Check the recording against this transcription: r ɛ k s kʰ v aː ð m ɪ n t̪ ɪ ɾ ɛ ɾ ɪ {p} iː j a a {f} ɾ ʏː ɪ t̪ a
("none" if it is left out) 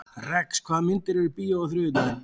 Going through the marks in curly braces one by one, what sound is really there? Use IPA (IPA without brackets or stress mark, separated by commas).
p, θ